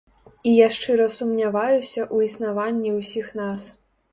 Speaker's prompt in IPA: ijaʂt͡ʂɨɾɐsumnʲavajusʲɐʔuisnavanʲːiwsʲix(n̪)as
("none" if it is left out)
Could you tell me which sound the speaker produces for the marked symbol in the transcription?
n̪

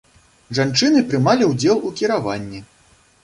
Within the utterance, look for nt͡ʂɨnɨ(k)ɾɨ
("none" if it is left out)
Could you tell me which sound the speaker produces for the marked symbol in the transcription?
p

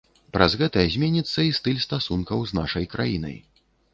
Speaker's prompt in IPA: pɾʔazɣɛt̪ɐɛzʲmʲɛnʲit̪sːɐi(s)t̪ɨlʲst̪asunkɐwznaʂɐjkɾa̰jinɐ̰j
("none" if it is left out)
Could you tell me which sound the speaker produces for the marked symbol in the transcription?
s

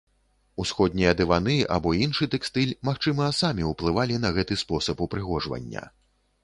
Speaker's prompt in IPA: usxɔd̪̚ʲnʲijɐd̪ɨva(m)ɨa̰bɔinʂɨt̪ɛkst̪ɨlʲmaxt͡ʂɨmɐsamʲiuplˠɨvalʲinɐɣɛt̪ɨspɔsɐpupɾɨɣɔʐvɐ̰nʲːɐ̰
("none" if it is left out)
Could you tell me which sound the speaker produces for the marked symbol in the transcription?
n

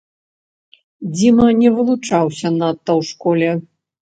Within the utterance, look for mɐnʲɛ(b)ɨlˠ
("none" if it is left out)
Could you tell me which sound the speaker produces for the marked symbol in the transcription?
v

